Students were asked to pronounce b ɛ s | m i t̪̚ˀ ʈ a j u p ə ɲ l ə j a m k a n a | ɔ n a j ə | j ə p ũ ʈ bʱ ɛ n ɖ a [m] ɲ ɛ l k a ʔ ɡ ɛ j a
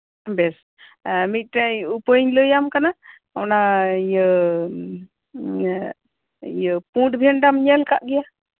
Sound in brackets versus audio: correct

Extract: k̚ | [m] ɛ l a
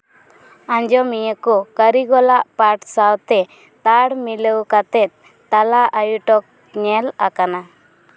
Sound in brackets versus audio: incorrect: ɲ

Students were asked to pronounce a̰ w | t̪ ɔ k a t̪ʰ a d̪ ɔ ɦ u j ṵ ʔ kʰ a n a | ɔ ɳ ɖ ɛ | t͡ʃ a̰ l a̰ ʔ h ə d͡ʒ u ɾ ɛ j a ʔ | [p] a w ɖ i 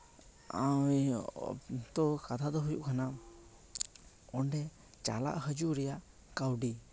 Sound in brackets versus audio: incorrect: k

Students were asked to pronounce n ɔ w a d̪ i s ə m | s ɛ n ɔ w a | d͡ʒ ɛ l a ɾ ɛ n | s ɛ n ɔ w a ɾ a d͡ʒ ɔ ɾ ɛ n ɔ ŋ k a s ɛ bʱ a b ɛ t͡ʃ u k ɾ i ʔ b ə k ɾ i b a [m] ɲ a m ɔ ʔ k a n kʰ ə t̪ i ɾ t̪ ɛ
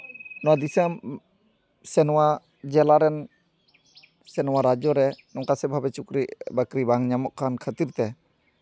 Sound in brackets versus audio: incorrect: ŋ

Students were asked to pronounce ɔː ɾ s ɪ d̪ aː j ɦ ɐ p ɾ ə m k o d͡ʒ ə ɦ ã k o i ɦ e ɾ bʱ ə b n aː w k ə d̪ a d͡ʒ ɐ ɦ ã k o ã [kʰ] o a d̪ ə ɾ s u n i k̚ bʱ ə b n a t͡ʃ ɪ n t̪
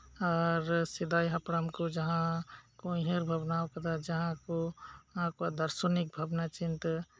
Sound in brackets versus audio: incorrect: k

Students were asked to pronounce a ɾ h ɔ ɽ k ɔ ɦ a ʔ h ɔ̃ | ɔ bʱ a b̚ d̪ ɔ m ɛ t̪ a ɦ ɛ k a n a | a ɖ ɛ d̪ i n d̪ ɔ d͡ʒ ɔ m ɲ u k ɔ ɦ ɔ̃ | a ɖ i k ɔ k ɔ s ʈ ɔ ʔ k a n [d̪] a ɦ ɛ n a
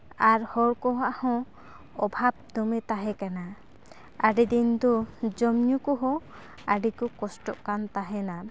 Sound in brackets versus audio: incorrect: t̪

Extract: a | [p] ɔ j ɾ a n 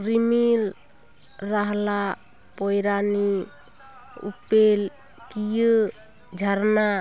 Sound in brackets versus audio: correct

